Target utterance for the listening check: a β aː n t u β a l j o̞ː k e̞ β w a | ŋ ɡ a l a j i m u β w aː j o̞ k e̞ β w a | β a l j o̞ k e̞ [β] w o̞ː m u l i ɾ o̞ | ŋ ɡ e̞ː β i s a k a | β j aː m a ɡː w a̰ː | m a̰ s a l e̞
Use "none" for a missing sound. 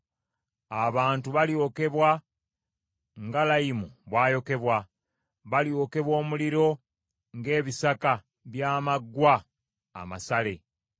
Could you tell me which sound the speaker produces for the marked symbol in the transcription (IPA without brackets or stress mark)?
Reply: β